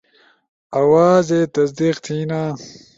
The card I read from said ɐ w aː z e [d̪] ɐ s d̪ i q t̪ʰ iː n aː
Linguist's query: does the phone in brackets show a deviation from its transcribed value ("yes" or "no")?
yes